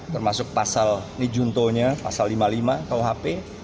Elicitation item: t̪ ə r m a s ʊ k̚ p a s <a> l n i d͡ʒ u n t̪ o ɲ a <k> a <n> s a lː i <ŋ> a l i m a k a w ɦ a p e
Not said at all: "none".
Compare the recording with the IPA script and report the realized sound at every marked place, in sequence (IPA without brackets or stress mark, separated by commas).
a, p, none, m